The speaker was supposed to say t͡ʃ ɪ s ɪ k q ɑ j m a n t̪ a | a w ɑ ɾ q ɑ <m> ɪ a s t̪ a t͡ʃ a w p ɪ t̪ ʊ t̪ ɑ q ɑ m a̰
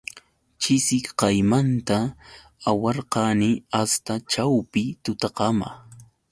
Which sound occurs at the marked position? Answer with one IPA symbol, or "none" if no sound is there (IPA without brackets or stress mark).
n